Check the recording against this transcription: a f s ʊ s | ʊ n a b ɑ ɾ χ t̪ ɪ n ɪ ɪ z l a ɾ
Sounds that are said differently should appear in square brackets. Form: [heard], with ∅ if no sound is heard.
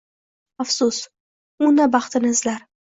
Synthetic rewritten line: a f s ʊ s | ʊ n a b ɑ [∅] χ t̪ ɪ n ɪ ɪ z l a ɾ